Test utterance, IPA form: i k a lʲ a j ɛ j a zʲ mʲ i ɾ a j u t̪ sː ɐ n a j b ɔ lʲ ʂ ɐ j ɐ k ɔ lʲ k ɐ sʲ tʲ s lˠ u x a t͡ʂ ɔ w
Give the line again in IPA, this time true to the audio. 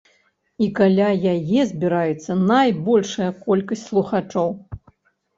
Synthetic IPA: i k a lʲ a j a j ɛ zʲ bʲ i ɾ a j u t̪ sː ɐ n a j b ɔ lʲ ʂ ɐ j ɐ k ɔ lʲ k ɐ sʲ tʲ s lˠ u x a t͡ʂ ɔ w